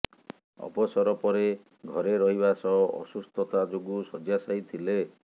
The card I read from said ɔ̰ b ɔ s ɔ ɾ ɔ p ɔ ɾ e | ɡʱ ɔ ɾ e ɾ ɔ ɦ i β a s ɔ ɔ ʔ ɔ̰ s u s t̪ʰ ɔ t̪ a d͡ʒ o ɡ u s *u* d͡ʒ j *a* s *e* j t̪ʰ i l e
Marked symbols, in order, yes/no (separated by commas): no, yes, no